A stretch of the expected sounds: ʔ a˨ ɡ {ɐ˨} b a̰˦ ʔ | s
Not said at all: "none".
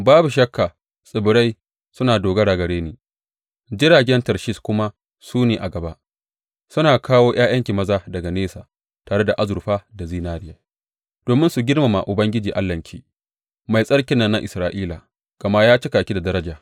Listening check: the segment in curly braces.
ɐ˨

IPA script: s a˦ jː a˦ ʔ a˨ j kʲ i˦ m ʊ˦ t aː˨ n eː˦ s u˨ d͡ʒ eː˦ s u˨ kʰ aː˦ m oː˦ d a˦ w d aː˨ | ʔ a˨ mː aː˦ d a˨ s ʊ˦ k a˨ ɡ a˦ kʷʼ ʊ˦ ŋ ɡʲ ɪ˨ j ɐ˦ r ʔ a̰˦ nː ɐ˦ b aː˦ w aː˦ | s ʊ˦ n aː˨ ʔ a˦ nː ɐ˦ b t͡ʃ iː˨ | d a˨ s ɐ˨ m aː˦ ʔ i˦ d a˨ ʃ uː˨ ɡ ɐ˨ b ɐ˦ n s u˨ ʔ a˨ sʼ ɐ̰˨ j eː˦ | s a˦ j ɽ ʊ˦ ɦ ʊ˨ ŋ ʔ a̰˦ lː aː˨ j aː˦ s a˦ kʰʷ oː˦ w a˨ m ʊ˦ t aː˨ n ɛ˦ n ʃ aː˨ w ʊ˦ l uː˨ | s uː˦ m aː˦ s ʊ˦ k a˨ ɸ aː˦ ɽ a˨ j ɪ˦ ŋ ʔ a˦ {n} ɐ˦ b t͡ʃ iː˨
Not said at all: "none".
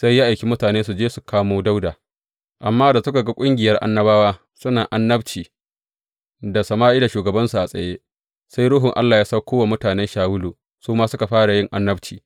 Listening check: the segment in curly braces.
nː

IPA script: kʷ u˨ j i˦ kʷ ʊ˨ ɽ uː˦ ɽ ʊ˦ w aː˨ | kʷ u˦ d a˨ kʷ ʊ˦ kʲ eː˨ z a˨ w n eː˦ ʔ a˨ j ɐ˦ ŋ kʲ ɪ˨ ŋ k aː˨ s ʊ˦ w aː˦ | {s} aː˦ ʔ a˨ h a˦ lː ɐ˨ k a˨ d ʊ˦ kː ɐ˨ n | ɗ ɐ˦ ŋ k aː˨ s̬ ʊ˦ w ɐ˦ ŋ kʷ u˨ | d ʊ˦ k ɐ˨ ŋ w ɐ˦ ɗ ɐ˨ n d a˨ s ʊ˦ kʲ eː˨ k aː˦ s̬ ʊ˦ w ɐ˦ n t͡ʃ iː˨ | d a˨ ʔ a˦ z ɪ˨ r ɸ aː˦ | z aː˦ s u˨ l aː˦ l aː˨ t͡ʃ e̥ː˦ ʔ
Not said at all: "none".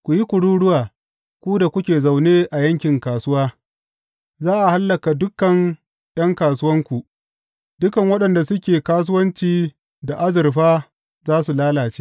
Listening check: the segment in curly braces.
z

